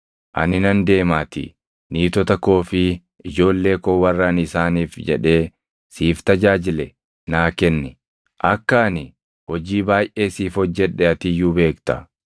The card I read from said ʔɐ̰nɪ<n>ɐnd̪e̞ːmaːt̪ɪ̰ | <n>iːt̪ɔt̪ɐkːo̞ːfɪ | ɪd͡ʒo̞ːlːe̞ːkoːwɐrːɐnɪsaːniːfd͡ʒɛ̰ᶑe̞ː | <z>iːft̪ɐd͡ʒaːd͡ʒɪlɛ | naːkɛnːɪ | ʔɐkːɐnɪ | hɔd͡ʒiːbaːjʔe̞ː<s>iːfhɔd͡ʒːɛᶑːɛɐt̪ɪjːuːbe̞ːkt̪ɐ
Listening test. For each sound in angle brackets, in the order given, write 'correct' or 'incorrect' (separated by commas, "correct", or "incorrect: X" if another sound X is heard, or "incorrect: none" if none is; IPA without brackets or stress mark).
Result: correct, correct, incorrect: s, correct